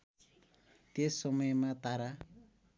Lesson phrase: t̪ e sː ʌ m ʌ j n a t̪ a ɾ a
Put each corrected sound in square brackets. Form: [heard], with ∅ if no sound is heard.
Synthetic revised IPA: t̪ e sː ʌ m ʌ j [m] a t̪ a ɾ a